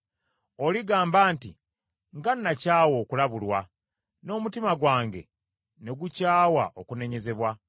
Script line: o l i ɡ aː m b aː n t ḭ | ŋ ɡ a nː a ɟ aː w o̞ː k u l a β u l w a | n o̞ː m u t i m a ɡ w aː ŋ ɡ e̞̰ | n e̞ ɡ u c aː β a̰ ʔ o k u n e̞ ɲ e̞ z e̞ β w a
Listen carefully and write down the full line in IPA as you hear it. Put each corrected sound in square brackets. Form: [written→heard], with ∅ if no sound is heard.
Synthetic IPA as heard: o l i ɡ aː m b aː n t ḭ | ŋ ɡ a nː a [ɟ→c] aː w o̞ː k u l a β u l w a | n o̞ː m u t i m a ɡ w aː ŋ ɡ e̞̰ | n e̞ ɡ u c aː [β→w] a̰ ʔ o k u n e̞ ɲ e̞ z e̞ β w a